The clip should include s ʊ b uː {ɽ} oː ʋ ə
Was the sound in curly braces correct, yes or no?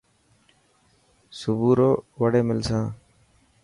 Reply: no